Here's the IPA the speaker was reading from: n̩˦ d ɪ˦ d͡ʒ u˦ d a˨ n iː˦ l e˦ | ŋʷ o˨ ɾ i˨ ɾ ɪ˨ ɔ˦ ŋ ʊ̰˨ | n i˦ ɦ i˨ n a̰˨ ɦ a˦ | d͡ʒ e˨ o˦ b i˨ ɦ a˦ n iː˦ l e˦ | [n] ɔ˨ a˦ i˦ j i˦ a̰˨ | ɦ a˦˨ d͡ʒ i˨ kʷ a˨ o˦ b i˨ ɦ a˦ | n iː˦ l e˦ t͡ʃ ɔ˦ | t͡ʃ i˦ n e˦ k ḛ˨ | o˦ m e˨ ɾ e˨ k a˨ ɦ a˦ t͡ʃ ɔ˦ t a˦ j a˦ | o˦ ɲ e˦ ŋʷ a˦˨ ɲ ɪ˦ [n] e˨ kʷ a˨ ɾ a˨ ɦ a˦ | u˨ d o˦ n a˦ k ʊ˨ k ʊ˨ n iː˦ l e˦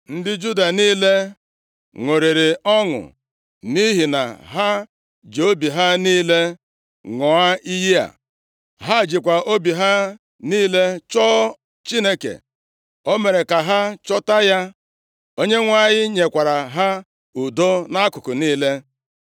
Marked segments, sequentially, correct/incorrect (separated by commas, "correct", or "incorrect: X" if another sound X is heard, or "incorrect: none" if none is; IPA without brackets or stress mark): incorrect: ŋ, incorrect: ɲ